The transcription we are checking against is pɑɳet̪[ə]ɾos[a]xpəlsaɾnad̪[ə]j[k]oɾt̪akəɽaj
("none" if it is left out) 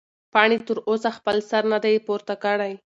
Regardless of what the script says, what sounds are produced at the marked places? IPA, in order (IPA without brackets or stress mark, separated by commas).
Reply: ə, a, a, p